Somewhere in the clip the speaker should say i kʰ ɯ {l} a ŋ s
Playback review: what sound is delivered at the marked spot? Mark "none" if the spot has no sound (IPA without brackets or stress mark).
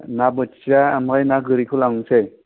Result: l